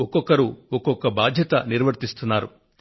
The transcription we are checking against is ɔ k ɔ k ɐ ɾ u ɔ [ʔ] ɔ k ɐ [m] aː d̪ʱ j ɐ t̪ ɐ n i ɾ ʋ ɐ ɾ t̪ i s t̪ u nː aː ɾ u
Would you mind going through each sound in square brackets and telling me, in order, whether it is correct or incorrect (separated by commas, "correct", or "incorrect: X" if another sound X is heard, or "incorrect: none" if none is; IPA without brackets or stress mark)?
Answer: incorrect: k, incorrect: b